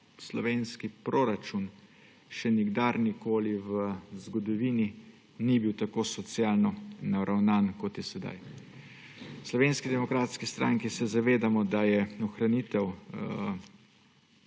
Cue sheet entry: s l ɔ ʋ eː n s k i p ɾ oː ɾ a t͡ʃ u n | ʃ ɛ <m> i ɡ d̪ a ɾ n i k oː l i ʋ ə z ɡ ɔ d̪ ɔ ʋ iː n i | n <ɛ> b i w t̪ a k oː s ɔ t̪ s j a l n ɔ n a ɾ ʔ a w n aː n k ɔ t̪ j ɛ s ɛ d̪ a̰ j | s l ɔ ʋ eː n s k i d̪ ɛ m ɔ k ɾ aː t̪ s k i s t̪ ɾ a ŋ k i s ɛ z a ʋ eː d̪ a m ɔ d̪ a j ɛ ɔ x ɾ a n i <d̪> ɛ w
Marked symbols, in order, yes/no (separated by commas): no, no, no